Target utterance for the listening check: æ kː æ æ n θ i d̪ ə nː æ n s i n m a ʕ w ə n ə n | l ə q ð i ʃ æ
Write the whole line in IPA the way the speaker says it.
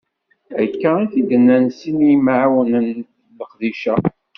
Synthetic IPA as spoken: æ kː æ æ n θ i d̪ ə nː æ n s i n m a ʕ w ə n ə n | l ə q ð i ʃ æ